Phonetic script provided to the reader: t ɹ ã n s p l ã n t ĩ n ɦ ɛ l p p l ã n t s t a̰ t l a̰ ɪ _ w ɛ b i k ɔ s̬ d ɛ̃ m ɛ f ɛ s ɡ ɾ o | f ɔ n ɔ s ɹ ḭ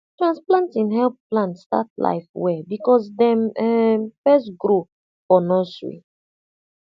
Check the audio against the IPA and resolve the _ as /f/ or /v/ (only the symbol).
f